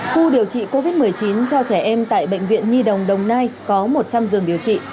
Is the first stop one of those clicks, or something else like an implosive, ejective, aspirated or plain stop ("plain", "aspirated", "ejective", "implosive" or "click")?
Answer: implosive